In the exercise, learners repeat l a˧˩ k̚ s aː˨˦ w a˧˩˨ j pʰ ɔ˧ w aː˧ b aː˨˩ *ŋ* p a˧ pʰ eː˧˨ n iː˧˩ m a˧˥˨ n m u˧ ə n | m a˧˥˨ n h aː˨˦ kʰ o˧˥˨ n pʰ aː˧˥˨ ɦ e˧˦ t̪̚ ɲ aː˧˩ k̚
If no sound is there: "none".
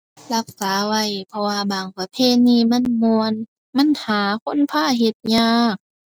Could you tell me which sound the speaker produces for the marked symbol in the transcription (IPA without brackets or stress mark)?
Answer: ŋ